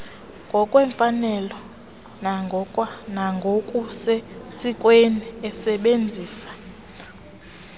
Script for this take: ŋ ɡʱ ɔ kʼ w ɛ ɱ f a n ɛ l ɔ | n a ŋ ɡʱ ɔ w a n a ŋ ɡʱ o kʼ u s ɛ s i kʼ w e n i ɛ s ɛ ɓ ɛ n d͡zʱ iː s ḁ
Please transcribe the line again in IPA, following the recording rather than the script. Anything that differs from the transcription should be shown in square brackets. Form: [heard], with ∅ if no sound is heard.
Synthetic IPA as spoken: ŋ ɡʱ ɔ kʼ w ɛ ɱ f a n ɛ l ɔ | n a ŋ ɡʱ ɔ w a n a ŋ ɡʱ o kʼ u s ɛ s i kʼ w e n i ɛ s ɛ ɓ [e] n d͡zʱ iː s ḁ